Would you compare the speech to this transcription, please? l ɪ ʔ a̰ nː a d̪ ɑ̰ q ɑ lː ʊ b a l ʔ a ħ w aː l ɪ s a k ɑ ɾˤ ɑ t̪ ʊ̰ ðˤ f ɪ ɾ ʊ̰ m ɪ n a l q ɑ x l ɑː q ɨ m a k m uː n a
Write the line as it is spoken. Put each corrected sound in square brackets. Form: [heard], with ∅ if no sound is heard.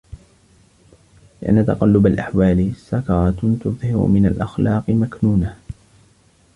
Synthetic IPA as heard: l ɪ ʔ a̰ nː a [t̪] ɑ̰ q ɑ lː ʊ b a l ʔ a ħ w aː l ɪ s a k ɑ ɾˤ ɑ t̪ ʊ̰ ðˤ [h] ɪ ɾ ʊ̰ m ɪ n a l [ʔ] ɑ x l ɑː q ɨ m a k [n] uː n a

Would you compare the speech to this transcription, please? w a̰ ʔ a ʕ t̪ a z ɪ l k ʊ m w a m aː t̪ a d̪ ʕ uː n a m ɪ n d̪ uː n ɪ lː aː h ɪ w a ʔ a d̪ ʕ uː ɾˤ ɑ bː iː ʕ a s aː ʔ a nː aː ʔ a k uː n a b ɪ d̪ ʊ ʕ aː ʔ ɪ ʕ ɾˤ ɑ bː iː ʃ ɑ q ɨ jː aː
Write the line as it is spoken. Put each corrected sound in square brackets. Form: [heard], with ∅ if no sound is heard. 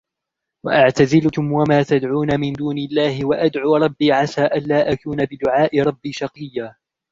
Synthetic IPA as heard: w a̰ ʔ a ʕ t̪ a z ɪ l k ʊ m w a m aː t̪ a d̪ ʕ uː n a m ɪ n d̪ uː n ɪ lː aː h ɪ w a ʔ a d̪ ʕ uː ɾˤ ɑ bː iː ʕ a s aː ʔ a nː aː ʔ a k uː n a b ɪ d̪ ʊ ʕ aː ʔ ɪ [∅] ɾˤ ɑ bː iː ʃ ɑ q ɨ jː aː

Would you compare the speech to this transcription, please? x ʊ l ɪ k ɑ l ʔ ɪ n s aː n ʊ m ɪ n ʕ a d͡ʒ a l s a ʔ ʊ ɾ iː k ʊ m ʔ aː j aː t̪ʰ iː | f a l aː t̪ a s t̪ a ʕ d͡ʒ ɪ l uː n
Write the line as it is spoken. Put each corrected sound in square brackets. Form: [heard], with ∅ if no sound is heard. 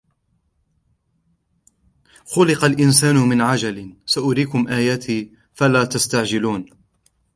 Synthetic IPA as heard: x ʊ l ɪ [q] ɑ l ʔ ɪ n s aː n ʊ m ɪ n ʕ a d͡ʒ a l s a ʔ ʊ ɾ iː k ʊ m ʔ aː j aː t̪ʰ iː | f a l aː t̪ a s t̪ a ʕ d͡ʒ ɪ l uː n

